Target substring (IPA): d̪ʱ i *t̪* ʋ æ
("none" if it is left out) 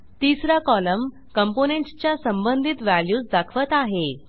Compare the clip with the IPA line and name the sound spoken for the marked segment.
t̪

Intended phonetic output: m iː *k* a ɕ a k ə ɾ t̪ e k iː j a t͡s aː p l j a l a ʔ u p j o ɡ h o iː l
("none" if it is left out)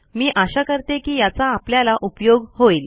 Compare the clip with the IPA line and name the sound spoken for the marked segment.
ʔ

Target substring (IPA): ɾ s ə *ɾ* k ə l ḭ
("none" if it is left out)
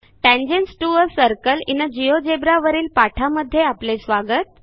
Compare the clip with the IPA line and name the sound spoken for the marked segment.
ɾ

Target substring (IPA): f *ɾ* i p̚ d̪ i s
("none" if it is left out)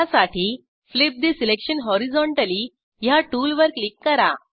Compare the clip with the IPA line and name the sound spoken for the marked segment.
l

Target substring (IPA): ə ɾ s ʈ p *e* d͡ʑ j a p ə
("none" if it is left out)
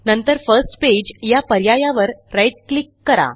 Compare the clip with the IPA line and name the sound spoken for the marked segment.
e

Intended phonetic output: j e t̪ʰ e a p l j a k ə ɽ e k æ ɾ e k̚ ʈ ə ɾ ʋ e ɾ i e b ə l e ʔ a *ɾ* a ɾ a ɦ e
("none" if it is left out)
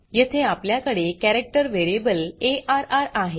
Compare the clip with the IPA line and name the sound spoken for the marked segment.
ɾ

